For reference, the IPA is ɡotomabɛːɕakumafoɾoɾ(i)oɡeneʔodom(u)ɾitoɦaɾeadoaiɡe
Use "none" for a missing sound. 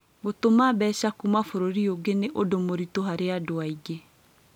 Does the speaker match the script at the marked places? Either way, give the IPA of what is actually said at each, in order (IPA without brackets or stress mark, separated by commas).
i, o